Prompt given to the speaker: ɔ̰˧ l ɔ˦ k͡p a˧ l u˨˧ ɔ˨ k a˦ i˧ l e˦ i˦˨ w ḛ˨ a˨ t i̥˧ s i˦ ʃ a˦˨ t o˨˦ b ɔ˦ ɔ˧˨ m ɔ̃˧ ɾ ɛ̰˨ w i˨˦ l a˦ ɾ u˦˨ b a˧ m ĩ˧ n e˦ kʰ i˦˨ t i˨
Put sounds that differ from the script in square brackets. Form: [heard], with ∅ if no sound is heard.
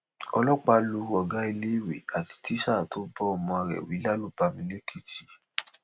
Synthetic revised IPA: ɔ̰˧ l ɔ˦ k͡p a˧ l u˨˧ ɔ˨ [ɡ] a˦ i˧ l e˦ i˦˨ w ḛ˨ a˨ t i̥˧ [t] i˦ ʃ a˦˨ t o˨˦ b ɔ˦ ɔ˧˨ m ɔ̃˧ ɾ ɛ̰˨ w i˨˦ l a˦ [l] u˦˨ b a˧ m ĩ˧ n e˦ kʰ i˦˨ t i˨